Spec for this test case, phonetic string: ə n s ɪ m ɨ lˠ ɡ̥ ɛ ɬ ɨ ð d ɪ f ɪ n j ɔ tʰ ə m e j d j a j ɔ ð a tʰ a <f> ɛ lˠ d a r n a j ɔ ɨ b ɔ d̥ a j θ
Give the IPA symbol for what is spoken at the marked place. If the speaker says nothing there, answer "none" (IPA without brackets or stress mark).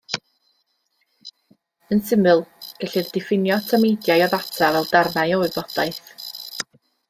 v